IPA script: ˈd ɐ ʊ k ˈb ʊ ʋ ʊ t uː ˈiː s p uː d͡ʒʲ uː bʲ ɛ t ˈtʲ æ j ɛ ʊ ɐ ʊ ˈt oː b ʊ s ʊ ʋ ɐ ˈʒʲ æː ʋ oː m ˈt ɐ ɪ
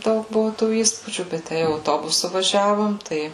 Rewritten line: ˈd ɐ ʊ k ˈb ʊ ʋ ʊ t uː ˈiː s p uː d͡ʒʲ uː bʲ ɛ t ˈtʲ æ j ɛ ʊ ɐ ʊ ˈt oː b ʊ s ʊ ʋ ɐ ˈʒʲ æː ʋ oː m ˈt ɐ ɪ